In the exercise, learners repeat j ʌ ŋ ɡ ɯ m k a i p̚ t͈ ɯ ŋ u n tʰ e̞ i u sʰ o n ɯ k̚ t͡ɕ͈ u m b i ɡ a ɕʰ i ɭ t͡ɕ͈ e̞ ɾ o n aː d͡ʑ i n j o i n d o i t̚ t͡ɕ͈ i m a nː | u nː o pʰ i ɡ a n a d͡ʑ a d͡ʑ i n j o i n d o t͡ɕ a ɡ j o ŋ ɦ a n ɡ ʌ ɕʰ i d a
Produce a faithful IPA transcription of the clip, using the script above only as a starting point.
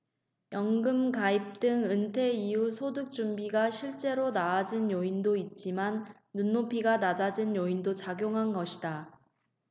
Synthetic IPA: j ʌ ŋ ɡ ɯ m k a i p̚ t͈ ɯ ŋ ɯ n tʰ e̞ i u sʰ o d ɯ k̚ t͡ɕ͈ u m b i ɡ a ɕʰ i ɭ t͡ɕ͈ e̞ ɾ o n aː d͡ʑ i n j o i n d o i t̚ t͡ɕ͈ i m a nː | u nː o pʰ i ɡ a n a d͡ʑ a d͡ʑ i n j o i n d o t͡ɕ a ɡ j o ŋ ɦ a n ɡ ʌ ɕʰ i d a